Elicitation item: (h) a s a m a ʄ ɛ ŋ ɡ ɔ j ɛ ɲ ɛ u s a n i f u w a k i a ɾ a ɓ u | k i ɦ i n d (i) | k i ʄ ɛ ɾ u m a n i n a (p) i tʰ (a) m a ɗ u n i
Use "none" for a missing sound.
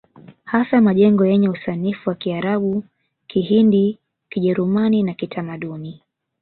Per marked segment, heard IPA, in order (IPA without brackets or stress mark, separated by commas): h, i, k, a